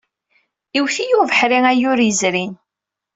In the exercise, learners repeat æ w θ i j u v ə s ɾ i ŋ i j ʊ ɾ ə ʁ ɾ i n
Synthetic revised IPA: i w θ i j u v ə ħ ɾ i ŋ æ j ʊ ɾ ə z ɾ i n